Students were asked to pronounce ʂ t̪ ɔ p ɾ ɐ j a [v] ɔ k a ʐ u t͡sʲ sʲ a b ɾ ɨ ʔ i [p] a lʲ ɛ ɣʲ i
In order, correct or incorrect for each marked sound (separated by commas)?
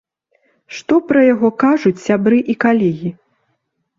incorrect, incorrect